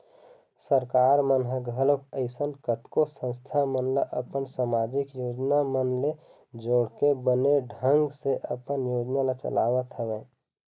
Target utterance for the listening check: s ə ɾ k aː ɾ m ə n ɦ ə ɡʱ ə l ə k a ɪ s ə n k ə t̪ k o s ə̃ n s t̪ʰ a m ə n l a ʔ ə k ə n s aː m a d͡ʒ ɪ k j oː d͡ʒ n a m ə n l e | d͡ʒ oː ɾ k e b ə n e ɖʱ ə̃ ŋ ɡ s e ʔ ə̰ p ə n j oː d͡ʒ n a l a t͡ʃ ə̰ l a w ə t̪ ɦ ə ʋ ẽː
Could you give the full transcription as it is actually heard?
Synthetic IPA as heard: s ə ɾ k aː ɾ m ə n ɦ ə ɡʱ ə l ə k ə ɪ s ə n k ə t̪ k o s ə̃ n s t̪ʰ a m ə n l a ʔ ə p ə n s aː m a d͡ʒ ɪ k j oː d͡ʒ n a m ə n l e | d͡ʒ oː ɽ k e b ə n e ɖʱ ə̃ ŋ ɡ s e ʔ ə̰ p ə n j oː d͡ʒ n a l a t͡ʃ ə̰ l a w ə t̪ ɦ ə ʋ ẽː